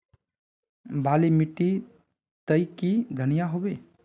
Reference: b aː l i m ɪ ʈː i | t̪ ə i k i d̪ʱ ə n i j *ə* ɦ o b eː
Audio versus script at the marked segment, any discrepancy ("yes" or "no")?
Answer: yes